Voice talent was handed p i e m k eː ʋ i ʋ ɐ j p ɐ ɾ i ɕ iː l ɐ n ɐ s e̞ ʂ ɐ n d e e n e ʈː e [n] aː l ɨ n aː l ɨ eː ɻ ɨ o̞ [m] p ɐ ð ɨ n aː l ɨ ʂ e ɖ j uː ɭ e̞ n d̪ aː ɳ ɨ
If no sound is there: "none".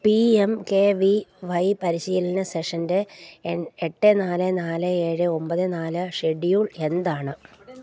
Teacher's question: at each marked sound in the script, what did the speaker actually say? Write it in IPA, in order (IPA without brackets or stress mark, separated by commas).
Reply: n, m